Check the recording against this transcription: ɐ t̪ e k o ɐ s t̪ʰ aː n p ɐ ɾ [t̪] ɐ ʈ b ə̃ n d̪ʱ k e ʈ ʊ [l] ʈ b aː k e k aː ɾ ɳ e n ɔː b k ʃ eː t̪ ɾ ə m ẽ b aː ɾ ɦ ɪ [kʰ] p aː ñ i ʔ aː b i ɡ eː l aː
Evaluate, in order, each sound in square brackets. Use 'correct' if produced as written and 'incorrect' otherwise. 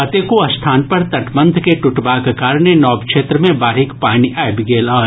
correct, incorrect, incorrect

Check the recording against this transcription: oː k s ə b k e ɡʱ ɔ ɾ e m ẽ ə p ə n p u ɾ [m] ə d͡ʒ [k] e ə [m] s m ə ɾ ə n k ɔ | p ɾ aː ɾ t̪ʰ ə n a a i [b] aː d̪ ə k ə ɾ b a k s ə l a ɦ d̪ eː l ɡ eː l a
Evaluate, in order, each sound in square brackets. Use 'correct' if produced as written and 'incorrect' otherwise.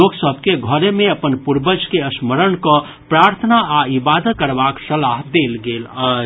incorrect, correct, incorrect, correct

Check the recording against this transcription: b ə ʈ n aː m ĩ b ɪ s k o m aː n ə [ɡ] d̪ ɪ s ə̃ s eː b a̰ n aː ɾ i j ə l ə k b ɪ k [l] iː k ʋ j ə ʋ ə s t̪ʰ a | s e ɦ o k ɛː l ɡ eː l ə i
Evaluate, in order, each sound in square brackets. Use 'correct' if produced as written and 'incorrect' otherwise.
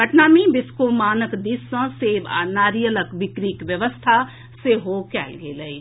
incorrect, incorrect

